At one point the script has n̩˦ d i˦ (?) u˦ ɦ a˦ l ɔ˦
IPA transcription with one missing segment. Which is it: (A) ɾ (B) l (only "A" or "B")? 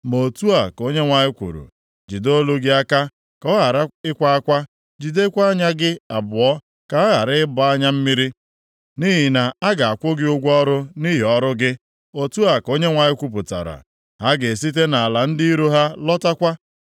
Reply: A